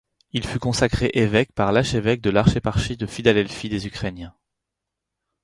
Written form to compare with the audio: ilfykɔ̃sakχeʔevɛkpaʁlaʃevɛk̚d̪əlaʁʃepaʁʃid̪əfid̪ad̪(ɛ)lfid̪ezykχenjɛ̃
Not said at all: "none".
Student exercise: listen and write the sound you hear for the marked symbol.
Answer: ɛ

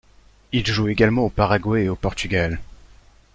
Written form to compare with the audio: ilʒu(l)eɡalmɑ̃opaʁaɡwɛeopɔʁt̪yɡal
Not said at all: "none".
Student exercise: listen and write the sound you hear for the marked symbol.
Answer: none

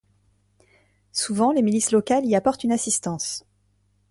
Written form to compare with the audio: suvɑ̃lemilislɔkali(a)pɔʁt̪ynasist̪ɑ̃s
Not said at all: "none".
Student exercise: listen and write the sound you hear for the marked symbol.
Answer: a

